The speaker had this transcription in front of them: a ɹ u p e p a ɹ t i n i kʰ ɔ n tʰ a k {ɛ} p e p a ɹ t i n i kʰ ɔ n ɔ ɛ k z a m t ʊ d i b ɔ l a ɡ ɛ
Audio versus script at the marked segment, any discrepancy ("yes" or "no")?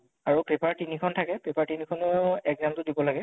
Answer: no